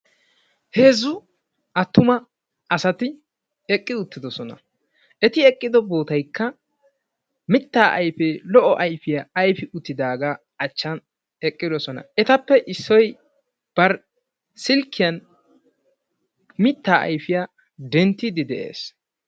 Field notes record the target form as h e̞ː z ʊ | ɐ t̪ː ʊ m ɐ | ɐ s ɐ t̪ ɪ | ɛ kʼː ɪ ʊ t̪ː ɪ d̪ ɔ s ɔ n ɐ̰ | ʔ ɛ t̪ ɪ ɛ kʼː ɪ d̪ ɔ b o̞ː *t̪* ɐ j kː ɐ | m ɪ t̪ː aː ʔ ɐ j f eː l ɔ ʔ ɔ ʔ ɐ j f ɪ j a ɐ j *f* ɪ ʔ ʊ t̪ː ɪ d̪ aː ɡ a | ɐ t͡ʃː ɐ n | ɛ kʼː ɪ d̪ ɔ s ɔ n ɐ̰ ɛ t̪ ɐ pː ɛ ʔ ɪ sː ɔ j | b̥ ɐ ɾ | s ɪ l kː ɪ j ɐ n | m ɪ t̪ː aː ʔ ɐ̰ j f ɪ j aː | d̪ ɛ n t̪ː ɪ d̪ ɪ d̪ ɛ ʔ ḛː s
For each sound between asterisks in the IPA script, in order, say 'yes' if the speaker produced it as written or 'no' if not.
yes, yes

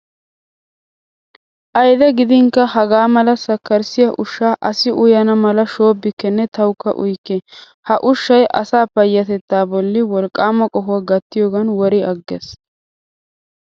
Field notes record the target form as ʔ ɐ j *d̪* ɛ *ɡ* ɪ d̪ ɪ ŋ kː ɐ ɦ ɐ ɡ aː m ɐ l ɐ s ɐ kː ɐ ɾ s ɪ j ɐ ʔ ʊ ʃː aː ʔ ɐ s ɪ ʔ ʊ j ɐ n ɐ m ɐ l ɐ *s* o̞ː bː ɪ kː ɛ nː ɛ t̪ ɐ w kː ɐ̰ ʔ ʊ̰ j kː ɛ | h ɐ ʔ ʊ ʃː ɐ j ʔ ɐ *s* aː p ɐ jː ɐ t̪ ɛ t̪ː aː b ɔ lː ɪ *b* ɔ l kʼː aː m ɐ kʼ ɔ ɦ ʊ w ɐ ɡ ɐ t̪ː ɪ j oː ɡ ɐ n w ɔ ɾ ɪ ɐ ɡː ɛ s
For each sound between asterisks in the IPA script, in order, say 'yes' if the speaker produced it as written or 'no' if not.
yes, yes, no, yes, no

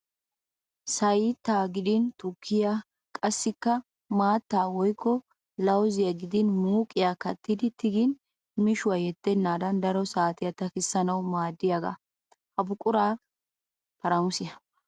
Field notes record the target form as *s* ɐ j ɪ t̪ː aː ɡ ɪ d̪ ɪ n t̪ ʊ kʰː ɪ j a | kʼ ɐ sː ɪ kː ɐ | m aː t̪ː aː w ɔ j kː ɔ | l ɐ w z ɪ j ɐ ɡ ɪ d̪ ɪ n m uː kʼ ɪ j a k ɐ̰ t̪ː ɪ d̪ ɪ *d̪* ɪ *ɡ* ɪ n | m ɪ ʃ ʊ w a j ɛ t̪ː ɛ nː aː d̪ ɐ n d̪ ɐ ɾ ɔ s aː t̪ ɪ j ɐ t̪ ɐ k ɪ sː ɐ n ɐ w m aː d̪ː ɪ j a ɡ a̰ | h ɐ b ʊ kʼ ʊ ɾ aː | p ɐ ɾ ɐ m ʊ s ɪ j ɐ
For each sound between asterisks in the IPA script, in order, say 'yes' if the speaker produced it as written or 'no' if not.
yes, no, yes

